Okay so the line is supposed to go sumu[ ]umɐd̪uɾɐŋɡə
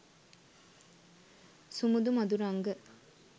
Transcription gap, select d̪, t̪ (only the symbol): d̪